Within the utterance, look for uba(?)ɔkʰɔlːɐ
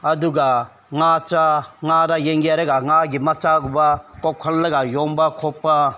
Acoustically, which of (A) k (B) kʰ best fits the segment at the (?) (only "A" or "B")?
A